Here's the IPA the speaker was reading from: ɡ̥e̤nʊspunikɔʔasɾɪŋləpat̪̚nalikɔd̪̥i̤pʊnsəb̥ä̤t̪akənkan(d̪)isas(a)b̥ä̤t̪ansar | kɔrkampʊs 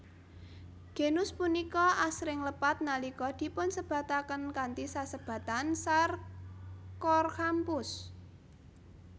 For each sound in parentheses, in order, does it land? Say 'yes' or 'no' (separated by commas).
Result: no, no